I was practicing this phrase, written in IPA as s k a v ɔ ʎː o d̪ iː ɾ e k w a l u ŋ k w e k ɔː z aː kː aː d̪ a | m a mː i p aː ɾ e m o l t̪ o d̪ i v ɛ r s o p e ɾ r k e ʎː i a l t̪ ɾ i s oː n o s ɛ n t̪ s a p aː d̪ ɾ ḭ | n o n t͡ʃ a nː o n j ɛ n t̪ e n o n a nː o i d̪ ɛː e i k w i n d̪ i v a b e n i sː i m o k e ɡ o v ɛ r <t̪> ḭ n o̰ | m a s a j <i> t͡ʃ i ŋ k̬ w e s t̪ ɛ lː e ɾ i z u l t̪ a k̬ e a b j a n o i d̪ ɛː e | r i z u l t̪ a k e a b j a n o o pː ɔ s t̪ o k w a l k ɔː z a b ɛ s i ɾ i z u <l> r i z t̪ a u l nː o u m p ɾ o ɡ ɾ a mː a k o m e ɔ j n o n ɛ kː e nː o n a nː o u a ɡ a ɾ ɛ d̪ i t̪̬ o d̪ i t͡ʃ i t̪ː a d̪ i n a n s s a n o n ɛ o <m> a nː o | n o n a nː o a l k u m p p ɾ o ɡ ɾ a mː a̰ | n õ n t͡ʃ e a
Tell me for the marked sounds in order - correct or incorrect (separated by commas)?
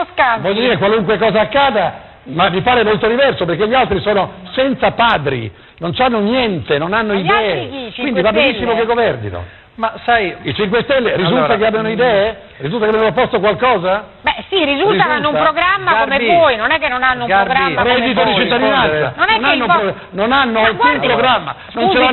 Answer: incorrect, correct, correct, incorrect